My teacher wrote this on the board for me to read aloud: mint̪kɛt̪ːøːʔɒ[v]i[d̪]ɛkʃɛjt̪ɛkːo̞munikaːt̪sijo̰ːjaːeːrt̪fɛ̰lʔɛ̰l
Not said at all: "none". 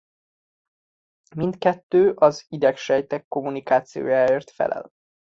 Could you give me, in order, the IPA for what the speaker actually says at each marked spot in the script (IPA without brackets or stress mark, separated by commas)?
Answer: z, d̪